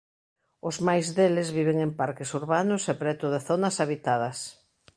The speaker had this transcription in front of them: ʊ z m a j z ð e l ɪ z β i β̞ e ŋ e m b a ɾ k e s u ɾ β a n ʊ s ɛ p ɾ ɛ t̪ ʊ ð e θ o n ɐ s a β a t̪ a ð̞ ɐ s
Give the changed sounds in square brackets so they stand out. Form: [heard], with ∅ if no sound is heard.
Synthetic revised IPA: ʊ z m a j z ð e l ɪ z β i β̞ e ŋ e m [p] a ɾ k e s u ɾ β a n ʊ s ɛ p ɾ ɛ t̪ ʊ ð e θ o n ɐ s a β [i] t̪ a ð̞ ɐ s